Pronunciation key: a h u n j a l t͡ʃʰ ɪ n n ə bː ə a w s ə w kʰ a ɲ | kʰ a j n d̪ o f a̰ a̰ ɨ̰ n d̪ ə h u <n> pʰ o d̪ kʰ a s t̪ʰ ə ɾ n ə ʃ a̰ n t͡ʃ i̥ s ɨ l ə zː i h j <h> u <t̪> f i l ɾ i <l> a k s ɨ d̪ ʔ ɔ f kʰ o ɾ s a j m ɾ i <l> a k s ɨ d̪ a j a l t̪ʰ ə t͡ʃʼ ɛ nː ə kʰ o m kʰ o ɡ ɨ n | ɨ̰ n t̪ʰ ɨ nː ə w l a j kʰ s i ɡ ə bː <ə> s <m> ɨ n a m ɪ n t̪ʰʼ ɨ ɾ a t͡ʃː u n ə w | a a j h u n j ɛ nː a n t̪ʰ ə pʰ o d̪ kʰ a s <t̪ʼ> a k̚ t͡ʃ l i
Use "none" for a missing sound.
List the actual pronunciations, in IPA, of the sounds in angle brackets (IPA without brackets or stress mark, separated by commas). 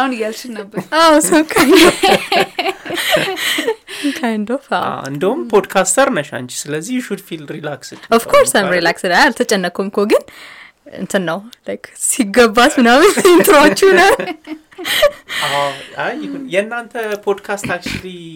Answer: m, ʃ, d̪, l, l, a, m, t̪